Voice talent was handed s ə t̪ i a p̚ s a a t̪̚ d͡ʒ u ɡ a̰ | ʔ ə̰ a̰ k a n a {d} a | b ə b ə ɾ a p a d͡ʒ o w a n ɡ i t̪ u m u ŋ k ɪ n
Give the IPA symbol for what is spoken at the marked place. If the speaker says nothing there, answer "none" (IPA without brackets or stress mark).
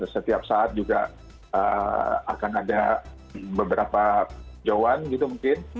d